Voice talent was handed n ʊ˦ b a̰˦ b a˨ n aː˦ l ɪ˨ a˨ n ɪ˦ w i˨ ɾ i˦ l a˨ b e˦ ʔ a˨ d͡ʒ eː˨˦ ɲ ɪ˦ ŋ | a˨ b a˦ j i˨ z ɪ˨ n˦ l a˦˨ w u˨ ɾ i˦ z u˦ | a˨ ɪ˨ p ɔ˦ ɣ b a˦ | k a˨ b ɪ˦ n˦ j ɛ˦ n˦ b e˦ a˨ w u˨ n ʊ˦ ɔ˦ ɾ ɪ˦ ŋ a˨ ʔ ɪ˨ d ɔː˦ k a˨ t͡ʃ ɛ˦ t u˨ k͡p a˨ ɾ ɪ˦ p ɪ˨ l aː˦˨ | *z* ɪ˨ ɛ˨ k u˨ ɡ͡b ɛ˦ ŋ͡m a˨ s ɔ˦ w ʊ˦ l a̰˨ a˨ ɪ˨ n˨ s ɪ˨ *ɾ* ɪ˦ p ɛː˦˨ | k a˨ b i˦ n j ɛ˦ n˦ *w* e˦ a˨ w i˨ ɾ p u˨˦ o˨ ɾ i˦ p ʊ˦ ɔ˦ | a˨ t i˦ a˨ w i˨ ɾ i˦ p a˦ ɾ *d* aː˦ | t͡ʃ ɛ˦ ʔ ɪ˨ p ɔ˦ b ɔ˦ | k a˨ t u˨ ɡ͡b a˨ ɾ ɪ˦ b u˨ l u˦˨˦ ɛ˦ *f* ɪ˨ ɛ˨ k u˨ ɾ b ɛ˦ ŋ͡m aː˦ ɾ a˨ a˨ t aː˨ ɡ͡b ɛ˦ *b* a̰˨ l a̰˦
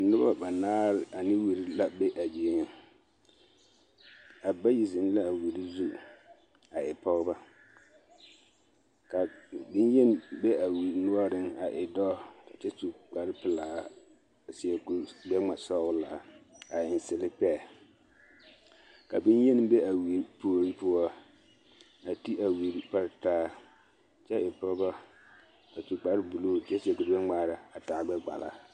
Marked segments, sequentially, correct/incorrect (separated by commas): incorrect, incorrect, incorrect, incorrect, incorrect, incorrect